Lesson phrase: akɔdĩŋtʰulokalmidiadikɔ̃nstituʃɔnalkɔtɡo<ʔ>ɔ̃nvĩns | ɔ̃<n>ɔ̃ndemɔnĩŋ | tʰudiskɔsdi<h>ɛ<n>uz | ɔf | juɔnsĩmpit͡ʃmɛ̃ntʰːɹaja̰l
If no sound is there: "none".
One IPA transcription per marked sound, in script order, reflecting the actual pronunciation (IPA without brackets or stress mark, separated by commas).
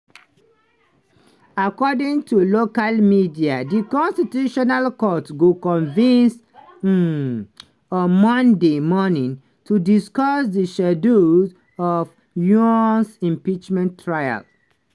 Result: k, m, ʃ, d